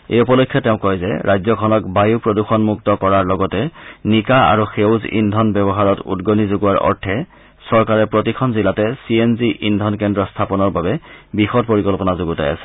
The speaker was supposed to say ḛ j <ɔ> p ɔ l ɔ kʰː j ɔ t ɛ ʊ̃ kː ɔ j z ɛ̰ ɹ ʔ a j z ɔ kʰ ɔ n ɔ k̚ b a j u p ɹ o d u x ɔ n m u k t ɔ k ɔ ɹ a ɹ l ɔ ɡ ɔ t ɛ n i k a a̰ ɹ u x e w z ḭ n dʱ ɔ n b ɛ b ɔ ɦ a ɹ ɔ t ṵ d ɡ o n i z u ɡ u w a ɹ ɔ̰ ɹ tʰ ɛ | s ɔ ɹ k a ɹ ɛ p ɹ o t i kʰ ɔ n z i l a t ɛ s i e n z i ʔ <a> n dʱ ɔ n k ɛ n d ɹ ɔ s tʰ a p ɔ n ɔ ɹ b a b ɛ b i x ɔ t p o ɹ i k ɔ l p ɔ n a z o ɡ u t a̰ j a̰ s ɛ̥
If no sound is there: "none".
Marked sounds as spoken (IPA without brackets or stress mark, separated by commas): u, i